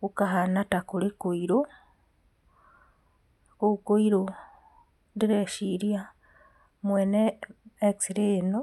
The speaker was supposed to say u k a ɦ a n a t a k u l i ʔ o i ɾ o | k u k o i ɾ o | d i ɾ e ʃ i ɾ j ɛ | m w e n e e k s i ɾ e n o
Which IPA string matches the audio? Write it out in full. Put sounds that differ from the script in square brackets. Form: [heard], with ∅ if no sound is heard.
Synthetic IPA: u k a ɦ a n a t a k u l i [k] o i ɾ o | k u k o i ɾ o | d i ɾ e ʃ i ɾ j [a] | m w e n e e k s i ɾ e n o